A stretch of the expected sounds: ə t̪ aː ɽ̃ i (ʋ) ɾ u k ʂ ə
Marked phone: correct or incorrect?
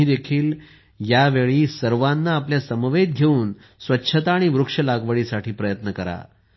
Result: correct